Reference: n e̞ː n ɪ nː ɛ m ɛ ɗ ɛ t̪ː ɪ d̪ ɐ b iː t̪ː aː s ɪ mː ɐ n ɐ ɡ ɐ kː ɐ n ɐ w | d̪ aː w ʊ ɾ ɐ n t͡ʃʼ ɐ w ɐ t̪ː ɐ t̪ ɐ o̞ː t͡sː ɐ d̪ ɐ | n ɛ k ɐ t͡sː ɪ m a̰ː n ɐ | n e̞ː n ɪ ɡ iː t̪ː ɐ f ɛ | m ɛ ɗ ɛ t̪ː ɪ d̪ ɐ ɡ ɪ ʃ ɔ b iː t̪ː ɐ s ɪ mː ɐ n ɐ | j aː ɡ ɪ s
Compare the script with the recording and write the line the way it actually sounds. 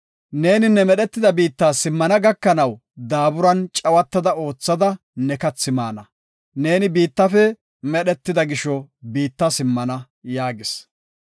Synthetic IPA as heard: n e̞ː n ɪ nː ɛ m ɛ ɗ ɛ t̪ː ɪ d̪ ɐ b iː t̪ː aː s ɪ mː ɐ n ɐ ɡ ɐ kː ɐ n ɐ w | d̪ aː b ʊ ɾ ɐ n t͡ʃʼ ɐ w ɐ t̪ː ɐ d̪ ɐ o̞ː t͡sː ɐ d̪ ɐ | n ɛ k ɐ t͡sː ɪ m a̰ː n ɐ | n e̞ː n ɪ b iː t̪ː ɐ f ɛ | m ɛ ɗ ɛ t̪ː ɪ d̪ ɐ ɡ ɪ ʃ ɔ b iː t̪ː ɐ s ɪ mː ɐ n ɐ | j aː ɡ ɪ s